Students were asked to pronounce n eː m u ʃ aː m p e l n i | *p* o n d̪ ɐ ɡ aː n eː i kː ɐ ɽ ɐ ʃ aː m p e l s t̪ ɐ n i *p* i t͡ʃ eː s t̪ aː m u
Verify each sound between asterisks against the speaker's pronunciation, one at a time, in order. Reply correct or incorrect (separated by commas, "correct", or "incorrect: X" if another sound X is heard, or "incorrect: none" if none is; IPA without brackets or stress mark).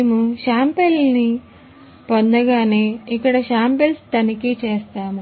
correct, incorrect: k